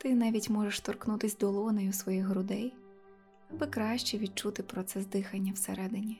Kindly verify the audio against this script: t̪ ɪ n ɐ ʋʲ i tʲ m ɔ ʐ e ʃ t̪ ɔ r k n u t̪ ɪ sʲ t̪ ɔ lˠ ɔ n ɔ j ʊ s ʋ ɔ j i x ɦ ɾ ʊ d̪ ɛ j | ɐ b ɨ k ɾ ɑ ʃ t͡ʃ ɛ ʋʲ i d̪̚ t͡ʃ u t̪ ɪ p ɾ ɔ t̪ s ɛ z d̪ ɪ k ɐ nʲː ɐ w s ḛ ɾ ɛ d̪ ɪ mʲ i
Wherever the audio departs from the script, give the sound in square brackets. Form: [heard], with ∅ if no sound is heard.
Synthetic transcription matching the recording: t̪ ɪ n [ɑ] ʋʲ i tʲ m ɔ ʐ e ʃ t̪ ɔ r k n u t̪ ɪ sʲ [d̪] ɔ lˠ ɔ n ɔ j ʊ s ʋ ɔ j i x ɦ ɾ ʊ d̪ ɛ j | ɐ b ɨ k ɾ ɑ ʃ t͡ʃ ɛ ʋʲ i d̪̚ t͡ʃ u t̪ ɪ p ɾ ɔ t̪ s ɛ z d̪ ɪ [x] ɐ nʲː ɐ w s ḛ ɾ ɛ d̪ ɪ [nʲ] i